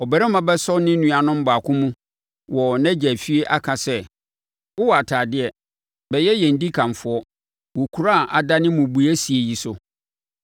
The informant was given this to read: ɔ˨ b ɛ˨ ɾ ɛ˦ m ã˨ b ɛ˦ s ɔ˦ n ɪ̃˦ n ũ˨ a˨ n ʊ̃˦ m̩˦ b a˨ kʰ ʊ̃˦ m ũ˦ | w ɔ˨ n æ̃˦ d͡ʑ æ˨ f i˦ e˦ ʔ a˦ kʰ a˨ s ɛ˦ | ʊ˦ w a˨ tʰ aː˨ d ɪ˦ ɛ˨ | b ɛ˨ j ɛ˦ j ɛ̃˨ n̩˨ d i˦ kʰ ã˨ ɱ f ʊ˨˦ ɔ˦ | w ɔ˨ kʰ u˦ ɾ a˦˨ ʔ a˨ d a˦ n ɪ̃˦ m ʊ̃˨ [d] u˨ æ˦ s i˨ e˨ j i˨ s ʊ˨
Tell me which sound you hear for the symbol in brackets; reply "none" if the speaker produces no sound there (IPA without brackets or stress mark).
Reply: b